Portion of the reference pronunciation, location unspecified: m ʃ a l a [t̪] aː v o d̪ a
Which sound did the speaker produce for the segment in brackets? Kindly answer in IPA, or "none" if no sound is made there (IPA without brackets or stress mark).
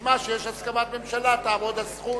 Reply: t̪